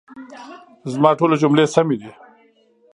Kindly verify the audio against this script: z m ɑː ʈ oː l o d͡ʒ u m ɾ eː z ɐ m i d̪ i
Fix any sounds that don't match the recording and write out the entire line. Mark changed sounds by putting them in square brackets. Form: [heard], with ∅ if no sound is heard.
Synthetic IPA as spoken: z m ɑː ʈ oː l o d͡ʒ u m [l] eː [s] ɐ m i d̪ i